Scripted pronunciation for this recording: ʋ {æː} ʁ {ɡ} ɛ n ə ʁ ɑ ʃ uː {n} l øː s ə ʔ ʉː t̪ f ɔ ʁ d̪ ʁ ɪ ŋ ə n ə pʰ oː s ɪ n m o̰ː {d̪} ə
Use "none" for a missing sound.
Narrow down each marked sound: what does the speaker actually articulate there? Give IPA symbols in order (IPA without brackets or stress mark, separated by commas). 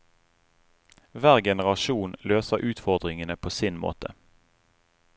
æː, ɡ, n, t̪